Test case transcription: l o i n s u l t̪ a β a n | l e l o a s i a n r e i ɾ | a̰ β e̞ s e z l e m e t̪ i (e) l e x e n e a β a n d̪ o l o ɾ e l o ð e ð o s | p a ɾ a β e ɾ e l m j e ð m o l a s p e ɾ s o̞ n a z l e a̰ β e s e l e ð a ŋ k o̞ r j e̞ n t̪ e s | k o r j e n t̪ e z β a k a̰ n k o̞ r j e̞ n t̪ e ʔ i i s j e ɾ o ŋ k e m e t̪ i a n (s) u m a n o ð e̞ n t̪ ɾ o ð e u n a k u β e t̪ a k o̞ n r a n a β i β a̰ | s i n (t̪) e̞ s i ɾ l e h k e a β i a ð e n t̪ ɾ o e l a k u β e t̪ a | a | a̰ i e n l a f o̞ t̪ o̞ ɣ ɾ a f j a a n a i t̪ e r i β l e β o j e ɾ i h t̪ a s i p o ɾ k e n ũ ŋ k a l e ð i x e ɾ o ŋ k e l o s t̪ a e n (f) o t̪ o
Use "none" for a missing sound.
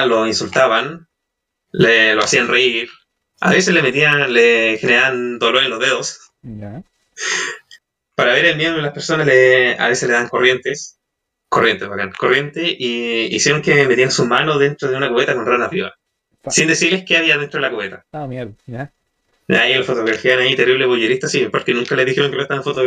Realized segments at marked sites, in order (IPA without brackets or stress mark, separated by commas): a, s, d̪, f